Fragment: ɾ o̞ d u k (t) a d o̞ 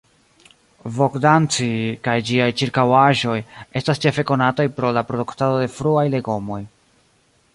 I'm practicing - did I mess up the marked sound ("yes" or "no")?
no